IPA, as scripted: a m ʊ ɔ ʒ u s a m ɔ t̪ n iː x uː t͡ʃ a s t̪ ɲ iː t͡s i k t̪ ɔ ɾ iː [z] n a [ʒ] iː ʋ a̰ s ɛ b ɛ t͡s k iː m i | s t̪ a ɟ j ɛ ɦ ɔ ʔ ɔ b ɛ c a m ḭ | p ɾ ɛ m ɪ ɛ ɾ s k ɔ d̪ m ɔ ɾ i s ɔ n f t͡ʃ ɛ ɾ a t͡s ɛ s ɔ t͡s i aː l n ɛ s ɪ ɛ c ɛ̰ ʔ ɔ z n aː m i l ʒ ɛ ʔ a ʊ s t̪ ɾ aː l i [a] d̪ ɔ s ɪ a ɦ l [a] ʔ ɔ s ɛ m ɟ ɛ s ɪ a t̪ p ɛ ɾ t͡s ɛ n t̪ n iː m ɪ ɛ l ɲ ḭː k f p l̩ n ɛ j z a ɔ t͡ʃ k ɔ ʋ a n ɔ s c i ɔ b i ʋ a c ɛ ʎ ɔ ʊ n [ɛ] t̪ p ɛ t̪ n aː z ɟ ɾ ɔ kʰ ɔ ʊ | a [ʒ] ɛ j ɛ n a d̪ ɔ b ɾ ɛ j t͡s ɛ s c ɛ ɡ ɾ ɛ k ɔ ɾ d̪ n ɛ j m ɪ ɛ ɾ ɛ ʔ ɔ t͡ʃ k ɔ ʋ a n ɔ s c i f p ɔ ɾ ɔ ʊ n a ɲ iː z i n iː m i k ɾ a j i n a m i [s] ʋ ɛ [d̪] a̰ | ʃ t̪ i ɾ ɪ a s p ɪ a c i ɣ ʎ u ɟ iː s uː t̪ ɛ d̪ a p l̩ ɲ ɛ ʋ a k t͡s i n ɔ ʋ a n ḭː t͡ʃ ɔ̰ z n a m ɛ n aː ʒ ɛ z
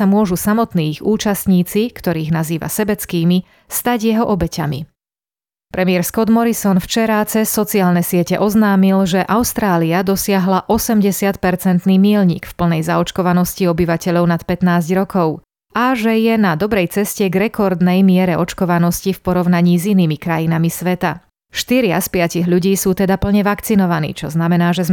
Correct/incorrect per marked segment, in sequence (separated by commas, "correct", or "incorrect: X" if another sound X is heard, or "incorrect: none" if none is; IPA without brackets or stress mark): incorrect: ɣ, incorrect: z, correct, correct, incorrect: a, correct, correct, incorrect: t̪